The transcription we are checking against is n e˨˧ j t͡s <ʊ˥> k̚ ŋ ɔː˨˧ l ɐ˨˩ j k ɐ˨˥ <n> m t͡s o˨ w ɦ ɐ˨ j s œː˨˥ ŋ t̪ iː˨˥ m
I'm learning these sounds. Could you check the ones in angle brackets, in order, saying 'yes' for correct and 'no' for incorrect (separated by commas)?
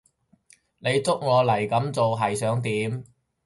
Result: yes, no